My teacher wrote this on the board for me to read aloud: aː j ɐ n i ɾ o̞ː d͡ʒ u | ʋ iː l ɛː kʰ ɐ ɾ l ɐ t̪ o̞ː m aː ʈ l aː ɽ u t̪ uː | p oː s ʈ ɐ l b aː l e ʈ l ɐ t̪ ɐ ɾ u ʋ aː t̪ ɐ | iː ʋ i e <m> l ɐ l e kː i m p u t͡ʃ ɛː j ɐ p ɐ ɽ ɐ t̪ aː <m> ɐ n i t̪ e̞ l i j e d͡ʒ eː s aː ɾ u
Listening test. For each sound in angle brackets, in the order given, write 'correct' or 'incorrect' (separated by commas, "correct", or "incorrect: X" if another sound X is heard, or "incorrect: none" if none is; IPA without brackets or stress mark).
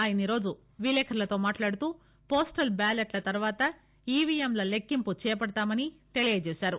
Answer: correct, correct